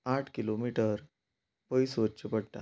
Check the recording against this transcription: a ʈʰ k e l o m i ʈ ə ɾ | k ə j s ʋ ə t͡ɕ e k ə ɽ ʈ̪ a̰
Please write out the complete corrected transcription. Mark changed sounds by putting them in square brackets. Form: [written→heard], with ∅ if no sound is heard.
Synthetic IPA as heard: a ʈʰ k [e→i] l o m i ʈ ə ɾ | [k→p] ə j s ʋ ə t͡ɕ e [k→p] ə ɽ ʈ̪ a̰